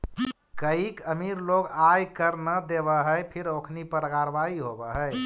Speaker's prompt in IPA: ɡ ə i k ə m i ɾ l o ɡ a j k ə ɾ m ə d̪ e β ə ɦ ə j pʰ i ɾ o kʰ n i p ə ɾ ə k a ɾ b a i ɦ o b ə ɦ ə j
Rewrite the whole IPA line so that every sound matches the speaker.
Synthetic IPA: k ə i k ə m i ɾ l o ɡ a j k ə ɾ n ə d̪ e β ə ɦ ə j pʰ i ɾ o kʰ n i p ə ɾ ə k a ɾ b a i ɦ o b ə ɦ ə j